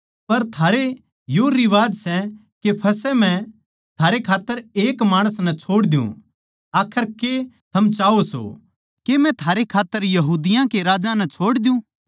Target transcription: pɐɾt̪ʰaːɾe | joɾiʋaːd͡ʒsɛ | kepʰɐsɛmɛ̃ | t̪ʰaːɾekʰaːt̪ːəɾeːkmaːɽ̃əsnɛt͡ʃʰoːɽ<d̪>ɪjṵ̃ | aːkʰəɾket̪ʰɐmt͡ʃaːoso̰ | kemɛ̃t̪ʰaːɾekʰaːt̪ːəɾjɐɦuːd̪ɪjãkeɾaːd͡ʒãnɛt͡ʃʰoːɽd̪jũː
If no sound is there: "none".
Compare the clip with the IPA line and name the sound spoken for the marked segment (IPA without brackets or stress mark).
d̪